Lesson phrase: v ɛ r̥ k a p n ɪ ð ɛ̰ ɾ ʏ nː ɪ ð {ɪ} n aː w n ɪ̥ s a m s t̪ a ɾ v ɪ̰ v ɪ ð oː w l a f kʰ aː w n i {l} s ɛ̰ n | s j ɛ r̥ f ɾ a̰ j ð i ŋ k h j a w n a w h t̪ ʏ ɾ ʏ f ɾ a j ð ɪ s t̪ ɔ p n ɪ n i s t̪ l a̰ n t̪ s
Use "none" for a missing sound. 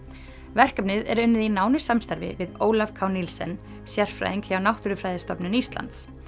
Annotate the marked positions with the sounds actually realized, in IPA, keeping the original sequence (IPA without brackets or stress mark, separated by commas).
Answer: i, l